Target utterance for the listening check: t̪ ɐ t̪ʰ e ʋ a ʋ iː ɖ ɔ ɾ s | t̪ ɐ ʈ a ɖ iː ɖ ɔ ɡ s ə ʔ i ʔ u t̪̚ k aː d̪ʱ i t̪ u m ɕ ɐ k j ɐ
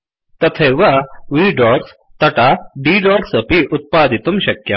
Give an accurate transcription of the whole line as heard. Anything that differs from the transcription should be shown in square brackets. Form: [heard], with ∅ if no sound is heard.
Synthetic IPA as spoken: t̪ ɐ t̪ʰ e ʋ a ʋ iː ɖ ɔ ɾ s | t̪ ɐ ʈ a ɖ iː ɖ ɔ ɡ s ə [p] i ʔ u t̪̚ [p] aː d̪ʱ i t̪ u m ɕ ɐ k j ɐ

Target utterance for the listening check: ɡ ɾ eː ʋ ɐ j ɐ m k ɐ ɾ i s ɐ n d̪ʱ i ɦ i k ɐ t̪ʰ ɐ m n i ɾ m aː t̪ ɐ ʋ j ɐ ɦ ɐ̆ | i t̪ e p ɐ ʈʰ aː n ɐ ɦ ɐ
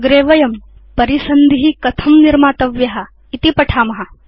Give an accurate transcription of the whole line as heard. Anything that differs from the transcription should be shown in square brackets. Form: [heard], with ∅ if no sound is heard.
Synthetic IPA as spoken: ɡ ɾ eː ʋ ɐ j ɐ m [p] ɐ ɾ i s ɐ n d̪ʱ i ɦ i k ɐ t̪ʰ ɐ m n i ɾ m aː t̪ ɐ ʋ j ɐ ɦ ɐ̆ | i t̪ [i] p ɐ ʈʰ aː [m] ɐ ɦ ɐ

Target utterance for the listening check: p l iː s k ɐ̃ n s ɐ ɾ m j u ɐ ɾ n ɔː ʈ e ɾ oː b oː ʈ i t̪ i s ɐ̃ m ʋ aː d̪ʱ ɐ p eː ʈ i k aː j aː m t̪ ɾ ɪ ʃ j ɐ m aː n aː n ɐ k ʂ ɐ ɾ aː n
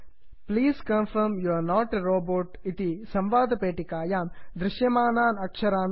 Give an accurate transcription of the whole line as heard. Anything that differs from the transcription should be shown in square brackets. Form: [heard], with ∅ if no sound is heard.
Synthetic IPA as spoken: p l iː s k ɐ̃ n [f] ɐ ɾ m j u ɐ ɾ n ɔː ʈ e ɾ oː b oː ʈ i t̪ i s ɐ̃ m ʋ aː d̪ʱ ɐ p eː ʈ i k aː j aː m [d̪] ɾ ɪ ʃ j ɐ m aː n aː n ɐ k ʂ ɐ ɾ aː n

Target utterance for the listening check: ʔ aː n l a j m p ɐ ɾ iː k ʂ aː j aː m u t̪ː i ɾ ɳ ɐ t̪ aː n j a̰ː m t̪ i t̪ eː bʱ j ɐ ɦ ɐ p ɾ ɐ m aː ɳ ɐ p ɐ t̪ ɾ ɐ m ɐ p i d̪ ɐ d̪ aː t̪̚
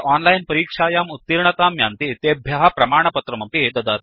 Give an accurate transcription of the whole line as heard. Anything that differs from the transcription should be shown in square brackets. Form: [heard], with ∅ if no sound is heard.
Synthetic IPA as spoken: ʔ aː n l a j [n] p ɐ ɾ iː k ʂ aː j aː m u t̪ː i ɾ ɳ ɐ t̪ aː [m] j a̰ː [n] t̪ i t̪ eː bʱ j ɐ ɦ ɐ p ɾ ɐ m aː ɳ ɐ p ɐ t̪ ɾ ɐ m ɐ p i d̪ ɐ d̪ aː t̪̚

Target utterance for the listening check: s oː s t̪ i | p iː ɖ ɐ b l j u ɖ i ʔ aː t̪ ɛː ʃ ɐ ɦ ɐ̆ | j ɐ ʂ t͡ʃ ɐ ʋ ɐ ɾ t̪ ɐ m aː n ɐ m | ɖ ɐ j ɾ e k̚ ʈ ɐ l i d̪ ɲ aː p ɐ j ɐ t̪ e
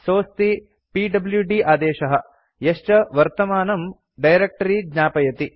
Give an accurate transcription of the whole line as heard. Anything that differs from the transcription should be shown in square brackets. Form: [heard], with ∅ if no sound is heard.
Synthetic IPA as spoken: s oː s t̪ i | p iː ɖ ɐ b l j u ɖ i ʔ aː [d̪] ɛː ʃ ɐ ɦ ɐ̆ | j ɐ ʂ t͡ʃ ɐ ʋ ɐ ɾ t̪ ɐ m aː n ɐ m | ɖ ɐ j ɾ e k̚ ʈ ɐ [ɾ] i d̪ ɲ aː p ɐ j ɐ t̪ [i]

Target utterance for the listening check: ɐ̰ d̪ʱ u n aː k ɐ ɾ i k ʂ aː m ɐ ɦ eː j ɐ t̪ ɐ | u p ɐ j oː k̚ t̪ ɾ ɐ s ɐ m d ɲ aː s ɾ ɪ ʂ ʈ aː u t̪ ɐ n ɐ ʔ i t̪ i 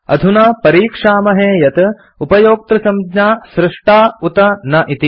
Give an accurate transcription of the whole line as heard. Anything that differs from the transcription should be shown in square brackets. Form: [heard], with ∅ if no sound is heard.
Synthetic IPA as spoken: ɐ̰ d̪ʱ u n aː [p] ɐ ɾ [iː] k ʂ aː m ɐ ɦ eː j ɐ t̪ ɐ | u p ɐ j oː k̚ t̪ ɾ ɐ s ɐ m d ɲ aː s ɾ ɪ ʂ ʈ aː u t̪ ɐ n ɐ ʔ i t̪ i

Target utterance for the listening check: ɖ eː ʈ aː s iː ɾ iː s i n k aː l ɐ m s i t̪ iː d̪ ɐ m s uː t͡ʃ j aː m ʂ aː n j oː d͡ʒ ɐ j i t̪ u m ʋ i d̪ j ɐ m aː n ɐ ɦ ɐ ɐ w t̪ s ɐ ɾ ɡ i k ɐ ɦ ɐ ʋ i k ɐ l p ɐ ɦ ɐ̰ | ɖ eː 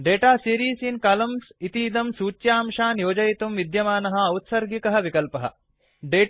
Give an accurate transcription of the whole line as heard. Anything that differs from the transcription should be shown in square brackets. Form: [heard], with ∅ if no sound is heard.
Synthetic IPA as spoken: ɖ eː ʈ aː s iː ɾ iː s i n k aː l ɐ m s i t̪ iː d̪ ɐ m s uː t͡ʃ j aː m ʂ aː n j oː d͡ʒ ɐ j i t̪ u m ʋ i d̪ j ɐ m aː n ɐ ɦ ɐ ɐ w t̪ s ɐ ɾ ɡ i k ɐ ɦ ɐ ʋ i k ɐ l p ɐ ɦ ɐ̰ | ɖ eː

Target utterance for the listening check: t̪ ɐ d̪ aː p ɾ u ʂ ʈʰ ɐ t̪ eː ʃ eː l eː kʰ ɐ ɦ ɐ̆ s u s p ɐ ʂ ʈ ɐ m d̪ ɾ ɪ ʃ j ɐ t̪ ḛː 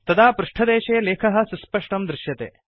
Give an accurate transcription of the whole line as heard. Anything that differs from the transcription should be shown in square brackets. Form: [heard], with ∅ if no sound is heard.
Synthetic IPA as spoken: t̪ ɐ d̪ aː p ɾ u ʂ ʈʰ ɐ [d̪] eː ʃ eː l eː kʰ ɐ ɦ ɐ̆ s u s p ɐ ʂ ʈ ɐ m d̪ ɾ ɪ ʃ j ɐ t̪ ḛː

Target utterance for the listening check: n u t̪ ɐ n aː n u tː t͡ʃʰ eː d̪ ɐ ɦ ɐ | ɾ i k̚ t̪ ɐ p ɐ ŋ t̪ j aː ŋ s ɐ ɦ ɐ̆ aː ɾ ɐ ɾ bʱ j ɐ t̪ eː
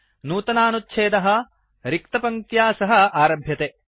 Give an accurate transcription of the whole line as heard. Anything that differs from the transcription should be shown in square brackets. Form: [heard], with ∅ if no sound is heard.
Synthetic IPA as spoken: n [uː] t̪ ɐ n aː n u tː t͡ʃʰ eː d̪ ɐ ɦ ɐ | ɾ i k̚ t̪ ɐ p ɐ ŋ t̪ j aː [∅] s ɐ ɦ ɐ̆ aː ɾ ɐ [∅] bʱ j ɐ t̪ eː

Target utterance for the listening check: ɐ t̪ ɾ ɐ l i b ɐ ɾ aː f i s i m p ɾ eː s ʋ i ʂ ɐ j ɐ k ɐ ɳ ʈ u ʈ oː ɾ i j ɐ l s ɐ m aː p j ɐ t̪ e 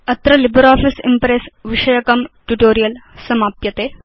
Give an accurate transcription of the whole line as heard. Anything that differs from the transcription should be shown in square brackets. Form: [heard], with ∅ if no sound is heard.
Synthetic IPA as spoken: ɐ t̪ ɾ ɐ l i b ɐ ɾ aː f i s i m p ɾ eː s ʋ i ʂ ɐ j ɐ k ɐ [m] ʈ u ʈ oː ɾ i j ɐ l s ɐ m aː p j ɐ t̪ e

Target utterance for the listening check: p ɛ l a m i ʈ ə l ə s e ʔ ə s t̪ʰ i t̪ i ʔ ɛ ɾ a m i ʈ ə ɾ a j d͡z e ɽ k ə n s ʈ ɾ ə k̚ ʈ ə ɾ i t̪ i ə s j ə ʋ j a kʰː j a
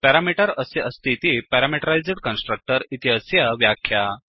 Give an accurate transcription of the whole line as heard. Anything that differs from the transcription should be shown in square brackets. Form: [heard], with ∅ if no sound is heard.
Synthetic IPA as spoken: p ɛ [ɾ] a m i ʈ ə [ɾ] ə s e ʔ ə s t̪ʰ i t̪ i [p] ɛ ɾ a m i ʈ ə ɾ a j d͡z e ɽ k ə n s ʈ ɾ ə k̚ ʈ ə ɾ i t̪ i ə s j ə ʋ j a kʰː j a

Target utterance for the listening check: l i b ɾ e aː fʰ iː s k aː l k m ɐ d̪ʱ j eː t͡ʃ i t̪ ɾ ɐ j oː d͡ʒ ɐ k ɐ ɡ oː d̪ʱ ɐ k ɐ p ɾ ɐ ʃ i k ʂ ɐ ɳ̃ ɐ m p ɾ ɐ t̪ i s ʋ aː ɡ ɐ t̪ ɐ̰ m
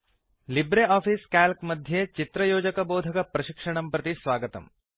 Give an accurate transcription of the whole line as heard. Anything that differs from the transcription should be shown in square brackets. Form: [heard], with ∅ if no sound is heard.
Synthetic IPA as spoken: l i b ɾ e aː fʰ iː s k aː l k m ɐ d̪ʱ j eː t͡ʃ i t̪ ɾ ɐ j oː d͡ʒ ɐ k ɐ [b] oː d̪ʱ ɐ k ɐ p ɾ ɐ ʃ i k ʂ ɐ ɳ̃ ɐ m p ɾ ɐ t̪ i s ʋ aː ɡ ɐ t̪ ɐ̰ m

